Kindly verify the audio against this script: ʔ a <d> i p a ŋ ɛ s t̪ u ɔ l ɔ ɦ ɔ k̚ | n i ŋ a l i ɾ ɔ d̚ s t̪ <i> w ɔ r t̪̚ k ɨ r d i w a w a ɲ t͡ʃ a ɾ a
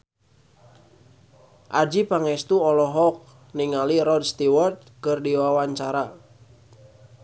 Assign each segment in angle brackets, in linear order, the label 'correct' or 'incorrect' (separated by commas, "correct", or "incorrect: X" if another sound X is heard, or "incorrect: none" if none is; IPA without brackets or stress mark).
incorrect: d͡ʒ, correct